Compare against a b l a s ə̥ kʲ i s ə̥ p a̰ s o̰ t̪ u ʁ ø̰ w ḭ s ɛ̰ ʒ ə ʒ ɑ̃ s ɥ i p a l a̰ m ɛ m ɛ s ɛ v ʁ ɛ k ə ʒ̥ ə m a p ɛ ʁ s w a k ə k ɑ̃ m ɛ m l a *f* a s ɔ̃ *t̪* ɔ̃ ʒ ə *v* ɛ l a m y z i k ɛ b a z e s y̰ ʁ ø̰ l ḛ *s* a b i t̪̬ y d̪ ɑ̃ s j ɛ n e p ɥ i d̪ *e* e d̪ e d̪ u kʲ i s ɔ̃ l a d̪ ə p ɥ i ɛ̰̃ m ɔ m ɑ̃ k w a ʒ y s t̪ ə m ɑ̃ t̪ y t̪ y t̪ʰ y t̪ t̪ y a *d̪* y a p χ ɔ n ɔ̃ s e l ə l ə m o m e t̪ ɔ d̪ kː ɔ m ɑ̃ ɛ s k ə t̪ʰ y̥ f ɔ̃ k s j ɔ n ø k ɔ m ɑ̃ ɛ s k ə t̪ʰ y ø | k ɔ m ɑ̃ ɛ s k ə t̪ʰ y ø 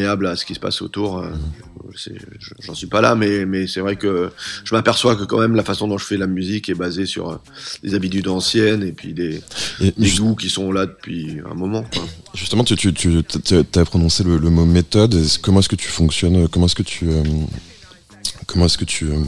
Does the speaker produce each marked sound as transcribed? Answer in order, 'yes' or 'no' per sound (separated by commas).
yes, no, no, no, yes, no